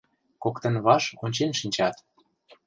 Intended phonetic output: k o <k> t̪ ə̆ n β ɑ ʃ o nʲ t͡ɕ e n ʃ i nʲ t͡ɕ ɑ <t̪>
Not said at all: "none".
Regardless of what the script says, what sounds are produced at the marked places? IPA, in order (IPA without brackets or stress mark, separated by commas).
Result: k, t̪